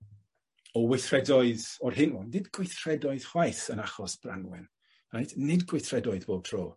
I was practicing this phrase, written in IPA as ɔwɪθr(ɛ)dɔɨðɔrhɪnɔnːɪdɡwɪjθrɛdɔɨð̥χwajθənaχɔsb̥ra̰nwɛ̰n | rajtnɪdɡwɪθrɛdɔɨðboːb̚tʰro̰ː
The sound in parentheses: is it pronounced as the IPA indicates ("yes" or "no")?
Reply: yes